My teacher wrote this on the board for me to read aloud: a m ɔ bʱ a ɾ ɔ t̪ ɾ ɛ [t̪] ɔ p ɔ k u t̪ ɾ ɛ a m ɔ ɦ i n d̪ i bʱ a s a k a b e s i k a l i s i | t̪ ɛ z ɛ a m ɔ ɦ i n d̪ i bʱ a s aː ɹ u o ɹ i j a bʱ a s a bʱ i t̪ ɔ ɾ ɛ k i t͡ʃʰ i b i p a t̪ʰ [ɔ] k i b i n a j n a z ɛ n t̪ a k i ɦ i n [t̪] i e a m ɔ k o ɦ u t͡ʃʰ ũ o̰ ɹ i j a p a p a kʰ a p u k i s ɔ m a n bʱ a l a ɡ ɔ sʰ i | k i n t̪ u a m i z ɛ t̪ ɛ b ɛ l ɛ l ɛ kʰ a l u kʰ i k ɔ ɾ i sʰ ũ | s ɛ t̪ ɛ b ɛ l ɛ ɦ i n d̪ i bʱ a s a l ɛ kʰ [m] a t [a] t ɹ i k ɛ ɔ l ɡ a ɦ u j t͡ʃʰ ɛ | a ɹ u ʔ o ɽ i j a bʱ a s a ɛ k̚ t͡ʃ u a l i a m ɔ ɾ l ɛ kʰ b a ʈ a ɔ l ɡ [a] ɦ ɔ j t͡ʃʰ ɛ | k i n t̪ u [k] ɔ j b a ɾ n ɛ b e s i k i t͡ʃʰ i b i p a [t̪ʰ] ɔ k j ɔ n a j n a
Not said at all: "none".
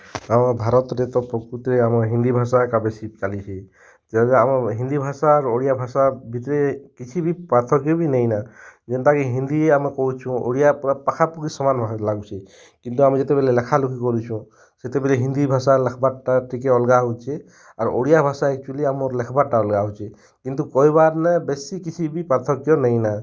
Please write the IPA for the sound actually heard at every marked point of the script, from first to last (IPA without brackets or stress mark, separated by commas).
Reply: t̪, ɔ, d̪, b, a, a, k, t̪ʰ